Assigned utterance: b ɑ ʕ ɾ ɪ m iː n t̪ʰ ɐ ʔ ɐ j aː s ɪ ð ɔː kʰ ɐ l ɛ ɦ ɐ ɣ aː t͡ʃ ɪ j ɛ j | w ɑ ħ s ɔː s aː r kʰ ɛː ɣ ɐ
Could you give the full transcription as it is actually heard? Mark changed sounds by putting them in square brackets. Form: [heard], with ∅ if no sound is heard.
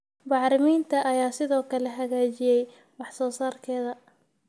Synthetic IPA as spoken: b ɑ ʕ ɾ ɪ m iː n t̪ʰ ɐ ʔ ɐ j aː s ɪ ð ɔː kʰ ɐ l ɛ ɦ ɐ ɣ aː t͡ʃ ɪ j ɛ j | w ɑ ħ s ɔː s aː r kʰ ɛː [ð] ɐ